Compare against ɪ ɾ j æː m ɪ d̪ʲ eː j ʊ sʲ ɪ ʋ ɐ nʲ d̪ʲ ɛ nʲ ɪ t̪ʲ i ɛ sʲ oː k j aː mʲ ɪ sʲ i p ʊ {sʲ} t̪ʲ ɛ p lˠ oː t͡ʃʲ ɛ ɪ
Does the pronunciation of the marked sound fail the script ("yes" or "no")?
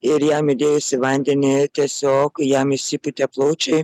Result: yes